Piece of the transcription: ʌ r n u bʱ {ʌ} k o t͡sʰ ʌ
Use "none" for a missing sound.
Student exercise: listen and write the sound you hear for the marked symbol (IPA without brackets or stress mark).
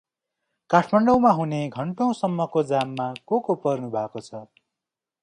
a